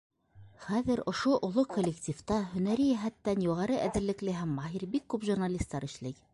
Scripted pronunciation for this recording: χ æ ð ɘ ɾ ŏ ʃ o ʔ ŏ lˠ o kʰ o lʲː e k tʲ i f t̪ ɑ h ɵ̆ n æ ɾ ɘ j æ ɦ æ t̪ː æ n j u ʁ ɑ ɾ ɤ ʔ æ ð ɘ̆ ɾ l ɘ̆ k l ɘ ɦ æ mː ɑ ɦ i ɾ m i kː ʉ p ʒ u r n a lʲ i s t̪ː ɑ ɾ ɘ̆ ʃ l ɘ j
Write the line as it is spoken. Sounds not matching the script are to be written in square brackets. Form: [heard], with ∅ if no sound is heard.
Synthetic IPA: χ æ ð ɘ ɾ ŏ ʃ o ʔ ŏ lˠ o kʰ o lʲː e k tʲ i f t̪ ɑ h ɵ̆ n æ ɾ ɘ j æ ɦ æ t̪ː æ n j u ʁ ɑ ɾ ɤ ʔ æ ð ɘ̆ ɾ l ɘ̆ k l ɘ ɦ æ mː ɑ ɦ i ɾ [b] i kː ʉ p ʒ u r n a lʲ i s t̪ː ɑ ɾ ɘ̆ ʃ l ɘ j